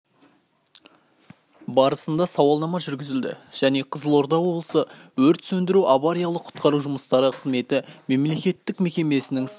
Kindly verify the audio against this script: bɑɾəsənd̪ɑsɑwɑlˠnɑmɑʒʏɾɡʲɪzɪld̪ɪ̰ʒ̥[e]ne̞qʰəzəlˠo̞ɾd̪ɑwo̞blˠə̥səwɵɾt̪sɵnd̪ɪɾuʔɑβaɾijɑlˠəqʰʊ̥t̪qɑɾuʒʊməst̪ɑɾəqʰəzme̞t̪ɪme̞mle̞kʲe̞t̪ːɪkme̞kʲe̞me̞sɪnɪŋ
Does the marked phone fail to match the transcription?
yes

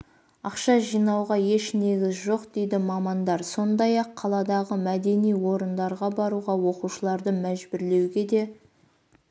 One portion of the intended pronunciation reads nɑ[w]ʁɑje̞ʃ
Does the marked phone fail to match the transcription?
no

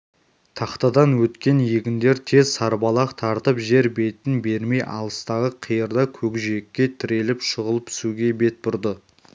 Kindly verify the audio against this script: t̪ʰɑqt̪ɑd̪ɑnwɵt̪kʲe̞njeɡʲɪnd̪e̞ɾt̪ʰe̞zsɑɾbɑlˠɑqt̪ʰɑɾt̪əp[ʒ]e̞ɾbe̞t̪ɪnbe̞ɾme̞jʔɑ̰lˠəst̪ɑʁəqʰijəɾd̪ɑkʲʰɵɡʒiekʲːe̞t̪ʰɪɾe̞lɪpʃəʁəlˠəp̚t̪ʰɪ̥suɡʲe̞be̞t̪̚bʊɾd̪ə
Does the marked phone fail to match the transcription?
no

